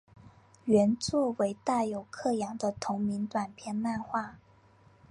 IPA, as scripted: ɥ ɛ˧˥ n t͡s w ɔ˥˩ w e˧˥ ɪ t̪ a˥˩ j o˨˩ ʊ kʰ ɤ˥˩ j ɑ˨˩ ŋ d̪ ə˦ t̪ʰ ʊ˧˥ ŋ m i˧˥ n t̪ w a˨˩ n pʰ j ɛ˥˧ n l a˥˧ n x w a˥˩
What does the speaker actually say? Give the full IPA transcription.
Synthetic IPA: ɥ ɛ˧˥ n t͡s w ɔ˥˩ w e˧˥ ɪ t̪ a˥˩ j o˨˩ ʊ kʰ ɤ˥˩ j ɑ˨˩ ŋ d̪ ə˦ t̪ʰ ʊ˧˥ ŋ m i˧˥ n t̪ w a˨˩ n pʰ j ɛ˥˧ n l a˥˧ n x w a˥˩